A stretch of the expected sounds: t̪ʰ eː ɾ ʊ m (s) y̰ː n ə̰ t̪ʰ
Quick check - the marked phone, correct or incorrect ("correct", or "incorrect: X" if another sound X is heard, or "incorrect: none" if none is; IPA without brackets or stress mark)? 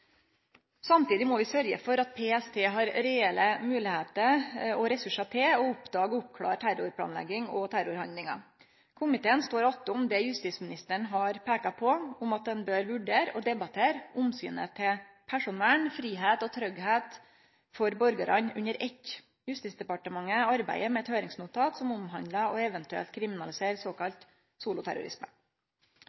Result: correct